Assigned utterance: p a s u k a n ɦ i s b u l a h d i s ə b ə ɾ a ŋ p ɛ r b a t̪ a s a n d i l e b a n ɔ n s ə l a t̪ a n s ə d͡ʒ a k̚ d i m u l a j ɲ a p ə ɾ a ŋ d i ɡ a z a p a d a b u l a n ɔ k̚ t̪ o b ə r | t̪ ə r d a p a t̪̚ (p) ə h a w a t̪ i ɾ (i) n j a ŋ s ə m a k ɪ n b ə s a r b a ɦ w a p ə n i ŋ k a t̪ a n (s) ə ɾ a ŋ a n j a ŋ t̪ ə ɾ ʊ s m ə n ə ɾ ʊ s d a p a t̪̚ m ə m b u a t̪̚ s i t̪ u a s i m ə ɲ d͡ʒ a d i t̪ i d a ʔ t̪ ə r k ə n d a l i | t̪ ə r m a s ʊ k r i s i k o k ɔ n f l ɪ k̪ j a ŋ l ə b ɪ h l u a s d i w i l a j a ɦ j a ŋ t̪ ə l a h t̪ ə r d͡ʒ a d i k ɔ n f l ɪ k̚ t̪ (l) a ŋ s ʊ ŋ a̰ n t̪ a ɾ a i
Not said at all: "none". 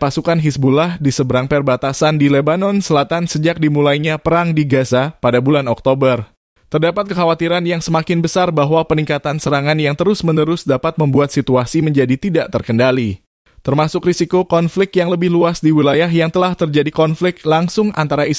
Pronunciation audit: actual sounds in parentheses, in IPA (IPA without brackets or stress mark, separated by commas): k, a, s, l